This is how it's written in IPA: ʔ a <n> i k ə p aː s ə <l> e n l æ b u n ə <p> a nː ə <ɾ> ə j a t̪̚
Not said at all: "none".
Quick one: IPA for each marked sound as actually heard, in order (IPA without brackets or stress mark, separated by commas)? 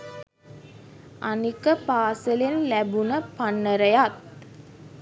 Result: n, l, p, ɾ